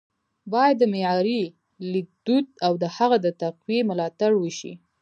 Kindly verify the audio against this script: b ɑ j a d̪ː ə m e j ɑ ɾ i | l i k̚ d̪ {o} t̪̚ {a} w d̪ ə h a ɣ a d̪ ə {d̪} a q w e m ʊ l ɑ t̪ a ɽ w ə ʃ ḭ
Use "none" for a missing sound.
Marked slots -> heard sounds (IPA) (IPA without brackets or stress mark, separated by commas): u, a, t̪